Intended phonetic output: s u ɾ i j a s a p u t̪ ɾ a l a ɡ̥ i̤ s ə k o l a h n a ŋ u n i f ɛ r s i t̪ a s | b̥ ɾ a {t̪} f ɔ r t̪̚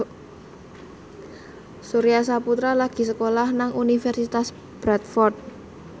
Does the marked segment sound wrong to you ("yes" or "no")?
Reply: no